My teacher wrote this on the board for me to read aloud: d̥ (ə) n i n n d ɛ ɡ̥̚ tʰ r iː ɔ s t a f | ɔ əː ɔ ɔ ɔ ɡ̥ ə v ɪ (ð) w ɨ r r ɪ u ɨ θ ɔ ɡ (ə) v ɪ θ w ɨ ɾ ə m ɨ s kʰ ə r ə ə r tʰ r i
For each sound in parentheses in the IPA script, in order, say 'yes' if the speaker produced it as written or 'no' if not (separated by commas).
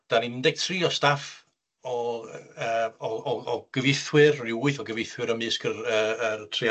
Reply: no, no, yes